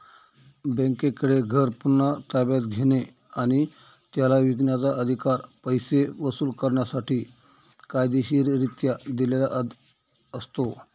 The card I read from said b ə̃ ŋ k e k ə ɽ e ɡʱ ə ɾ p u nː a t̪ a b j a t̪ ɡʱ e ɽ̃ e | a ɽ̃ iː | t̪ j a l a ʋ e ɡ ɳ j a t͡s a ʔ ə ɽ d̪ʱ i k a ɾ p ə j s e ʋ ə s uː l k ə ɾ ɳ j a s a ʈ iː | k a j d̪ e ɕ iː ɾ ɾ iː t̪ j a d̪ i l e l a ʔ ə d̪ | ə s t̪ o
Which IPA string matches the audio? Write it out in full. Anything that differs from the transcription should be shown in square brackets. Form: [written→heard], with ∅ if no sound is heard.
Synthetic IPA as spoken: b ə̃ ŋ k e k ə ɽ e ɡʱ ə ɾ p u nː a t̪ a b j a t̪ ɡʱ e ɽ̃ e | a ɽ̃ [iː→i] | t̪ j a l a ʋ [e→i] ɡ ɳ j a t͡s a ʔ ə [ɽ→∅] d̪ʱ i k a ɾ p ə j s e ʋ ə s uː l k ə ɾ ɳ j a s a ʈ iː | k a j d̪ e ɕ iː ɾ ɾ [iː→i] t̪ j a d̪ i l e l a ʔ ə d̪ | ə s t̪ o